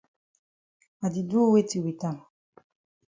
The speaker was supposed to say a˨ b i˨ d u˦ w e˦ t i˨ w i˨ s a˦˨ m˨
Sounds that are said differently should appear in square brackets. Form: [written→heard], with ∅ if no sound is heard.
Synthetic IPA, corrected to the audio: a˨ [b→d] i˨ d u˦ w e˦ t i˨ w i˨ [s→t] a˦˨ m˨